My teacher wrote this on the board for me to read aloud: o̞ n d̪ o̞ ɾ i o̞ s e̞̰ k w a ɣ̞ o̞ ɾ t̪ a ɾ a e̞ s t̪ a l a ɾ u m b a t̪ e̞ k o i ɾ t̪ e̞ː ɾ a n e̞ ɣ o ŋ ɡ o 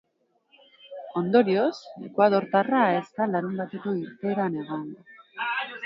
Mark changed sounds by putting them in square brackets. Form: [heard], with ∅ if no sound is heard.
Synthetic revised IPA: o̞ n d̪ o̞ ɾ i o̞ s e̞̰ k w a [ð̞] o̞ ɾ t̪ a [r] a e̞ s t̪ a l a ɾ u m b a t̪ e̞ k o i ɾ t̪ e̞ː ɾ a n e̞ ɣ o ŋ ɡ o